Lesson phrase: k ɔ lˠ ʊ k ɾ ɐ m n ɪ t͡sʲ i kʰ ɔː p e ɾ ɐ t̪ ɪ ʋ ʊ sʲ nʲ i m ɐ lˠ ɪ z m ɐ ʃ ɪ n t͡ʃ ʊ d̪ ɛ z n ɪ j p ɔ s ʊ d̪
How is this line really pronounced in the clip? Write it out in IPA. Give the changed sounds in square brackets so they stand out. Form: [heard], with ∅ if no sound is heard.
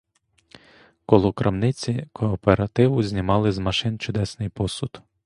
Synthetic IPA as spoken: k ɔ lˠ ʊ k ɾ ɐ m n ɪ t͡sʲ i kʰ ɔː p e ɾ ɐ t̪ ɪ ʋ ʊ [zʲ] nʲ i m [ɑ] lˠ ɪ z m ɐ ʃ ɪ n t͡ʃ ʊ d̪ ɛ [s] n ɪ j p ɔ s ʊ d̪